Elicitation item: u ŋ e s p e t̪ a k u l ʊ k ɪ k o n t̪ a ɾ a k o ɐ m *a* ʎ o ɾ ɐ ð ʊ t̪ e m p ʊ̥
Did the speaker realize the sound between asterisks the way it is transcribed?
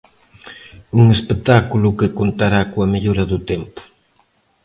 no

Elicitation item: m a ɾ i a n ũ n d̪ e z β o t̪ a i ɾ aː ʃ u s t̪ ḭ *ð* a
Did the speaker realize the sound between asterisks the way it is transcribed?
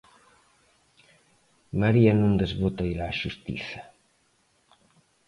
no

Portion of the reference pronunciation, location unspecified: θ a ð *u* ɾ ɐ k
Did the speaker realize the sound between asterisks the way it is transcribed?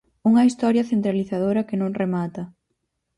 no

